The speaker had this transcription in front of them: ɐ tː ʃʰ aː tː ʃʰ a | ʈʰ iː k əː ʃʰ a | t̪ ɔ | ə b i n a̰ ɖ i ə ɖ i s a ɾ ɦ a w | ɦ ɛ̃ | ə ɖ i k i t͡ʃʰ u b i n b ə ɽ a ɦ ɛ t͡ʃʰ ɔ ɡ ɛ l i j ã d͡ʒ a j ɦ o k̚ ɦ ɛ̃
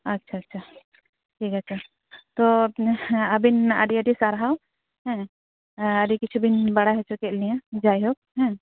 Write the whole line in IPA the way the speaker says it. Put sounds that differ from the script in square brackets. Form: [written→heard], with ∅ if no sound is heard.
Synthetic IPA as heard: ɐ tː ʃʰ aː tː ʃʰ a | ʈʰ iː k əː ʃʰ a | t̪ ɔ | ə b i n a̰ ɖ i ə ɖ i s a ɾ ɦ a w | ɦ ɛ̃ | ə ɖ i k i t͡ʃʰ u b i n b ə ɽ a ɦ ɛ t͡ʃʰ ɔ [ɡ→k] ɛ l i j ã d͡ʒ a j ɦ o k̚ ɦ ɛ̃